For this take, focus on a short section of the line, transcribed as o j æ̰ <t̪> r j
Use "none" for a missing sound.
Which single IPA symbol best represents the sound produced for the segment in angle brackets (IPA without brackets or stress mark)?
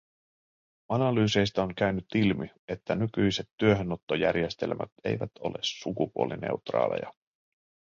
none